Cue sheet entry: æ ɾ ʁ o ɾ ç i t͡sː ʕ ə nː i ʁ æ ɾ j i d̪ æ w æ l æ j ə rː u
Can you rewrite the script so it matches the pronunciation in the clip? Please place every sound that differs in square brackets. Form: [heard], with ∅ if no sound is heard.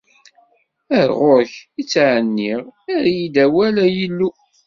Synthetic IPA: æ ɾ ʁ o ɾ ç i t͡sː ʕ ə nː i ʁ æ ɾ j i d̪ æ w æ l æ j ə [lː] u